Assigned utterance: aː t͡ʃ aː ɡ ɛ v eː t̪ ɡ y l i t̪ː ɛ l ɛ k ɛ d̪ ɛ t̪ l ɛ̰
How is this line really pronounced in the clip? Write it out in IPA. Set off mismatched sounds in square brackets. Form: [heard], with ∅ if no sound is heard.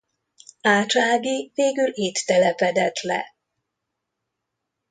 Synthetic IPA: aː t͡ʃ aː ɡ [i] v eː [∅] ɡ y l i t̪ː ɛ l ɛ [p] ɛ d̪ ɛ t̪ l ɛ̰